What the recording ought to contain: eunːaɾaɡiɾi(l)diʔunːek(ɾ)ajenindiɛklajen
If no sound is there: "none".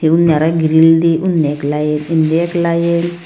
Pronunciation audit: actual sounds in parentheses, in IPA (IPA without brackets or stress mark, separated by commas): l, l